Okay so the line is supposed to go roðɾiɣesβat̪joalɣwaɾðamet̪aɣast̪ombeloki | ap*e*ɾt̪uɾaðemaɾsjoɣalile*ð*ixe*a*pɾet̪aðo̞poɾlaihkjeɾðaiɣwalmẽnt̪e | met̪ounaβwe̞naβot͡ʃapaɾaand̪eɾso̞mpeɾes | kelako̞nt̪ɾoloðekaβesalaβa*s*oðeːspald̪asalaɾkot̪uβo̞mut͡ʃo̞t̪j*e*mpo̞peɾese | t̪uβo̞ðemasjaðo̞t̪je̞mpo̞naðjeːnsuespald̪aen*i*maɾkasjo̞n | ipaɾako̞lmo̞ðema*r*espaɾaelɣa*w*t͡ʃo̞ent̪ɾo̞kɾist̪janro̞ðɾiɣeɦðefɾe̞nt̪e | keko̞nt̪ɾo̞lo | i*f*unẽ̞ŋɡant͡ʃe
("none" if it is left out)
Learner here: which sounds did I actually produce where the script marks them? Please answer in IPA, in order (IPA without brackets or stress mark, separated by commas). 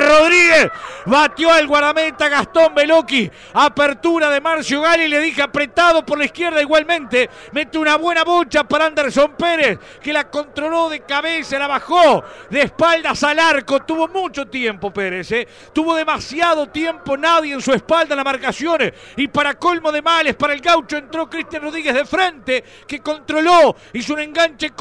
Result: e, ð, a, x, e, a, l, w, s